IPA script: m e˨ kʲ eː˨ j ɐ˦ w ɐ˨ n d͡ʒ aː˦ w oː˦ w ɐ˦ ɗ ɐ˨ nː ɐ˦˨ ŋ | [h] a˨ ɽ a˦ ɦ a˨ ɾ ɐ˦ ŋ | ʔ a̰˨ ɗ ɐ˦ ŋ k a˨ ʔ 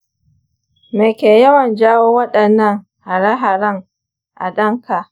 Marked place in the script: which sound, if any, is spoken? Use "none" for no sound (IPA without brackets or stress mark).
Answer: h